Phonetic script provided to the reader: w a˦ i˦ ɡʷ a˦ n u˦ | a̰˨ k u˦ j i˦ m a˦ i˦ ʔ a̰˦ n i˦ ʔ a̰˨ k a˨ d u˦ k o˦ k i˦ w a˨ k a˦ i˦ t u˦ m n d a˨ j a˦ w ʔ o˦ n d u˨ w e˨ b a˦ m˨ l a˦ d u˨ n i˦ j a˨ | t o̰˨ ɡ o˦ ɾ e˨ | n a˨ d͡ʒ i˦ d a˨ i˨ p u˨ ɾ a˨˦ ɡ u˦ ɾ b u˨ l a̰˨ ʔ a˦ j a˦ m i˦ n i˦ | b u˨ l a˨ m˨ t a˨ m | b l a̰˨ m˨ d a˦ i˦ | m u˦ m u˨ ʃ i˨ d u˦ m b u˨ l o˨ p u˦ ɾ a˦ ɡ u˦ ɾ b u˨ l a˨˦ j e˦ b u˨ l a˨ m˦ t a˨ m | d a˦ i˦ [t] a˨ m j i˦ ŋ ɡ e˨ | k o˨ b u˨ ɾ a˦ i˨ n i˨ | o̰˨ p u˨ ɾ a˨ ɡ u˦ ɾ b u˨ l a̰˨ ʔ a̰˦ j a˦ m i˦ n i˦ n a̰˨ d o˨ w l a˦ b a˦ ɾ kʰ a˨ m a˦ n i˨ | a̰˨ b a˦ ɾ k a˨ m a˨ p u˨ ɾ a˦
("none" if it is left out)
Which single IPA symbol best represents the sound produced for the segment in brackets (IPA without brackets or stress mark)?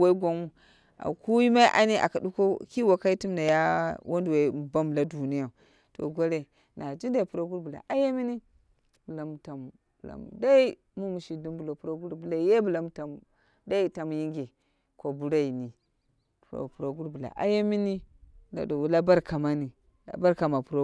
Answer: t